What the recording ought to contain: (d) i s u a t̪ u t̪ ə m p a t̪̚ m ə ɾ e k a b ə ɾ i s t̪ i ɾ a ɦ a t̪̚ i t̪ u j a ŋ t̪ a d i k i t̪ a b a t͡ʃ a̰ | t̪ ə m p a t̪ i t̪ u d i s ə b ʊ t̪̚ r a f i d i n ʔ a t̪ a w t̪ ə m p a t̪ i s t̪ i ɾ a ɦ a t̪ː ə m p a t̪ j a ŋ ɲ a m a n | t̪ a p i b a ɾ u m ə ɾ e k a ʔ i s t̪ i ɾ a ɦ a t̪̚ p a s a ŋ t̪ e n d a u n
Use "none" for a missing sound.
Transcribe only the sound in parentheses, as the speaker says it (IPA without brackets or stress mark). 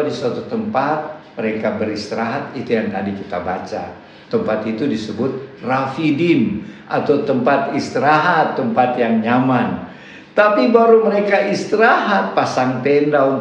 d